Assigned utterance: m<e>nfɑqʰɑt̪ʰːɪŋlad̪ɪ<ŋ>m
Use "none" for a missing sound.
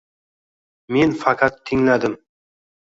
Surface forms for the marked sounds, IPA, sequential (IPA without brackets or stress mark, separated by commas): e, none